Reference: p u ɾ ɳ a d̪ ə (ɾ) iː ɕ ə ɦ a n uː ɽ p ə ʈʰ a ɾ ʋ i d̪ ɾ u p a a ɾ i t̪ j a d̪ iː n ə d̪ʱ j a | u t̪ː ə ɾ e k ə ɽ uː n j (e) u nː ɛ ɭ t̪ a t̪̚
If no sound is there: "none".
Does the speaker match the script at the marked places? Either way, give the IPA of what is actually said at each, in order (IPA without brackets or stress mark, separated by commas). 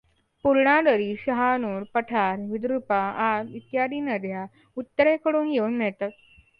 ɾ, e